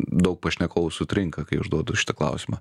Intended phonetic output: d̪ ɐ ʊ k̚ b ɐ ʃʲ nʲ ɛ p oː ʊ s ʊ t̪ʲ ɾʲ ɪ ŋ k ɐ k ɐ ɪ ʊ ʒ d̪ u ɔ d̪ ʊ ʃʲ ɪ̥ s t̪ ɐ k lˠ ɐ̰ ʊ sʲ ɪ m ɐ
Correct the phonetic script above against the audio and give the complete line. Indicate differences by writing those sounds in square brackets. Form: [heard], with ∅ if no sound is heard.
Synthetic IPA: d̪ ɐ ʊ k̚ [p] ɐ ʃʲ nʲ ɛ [k] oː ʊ s ʊ t̪ʲ ɾʲ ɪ ŋ k ɐ k ɐ ɪ ʊ ʒ d̪ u ɔ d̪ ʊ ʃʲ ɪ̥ [∅] t̪ ɐ k lˠ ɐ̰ ʊ sʲ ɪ m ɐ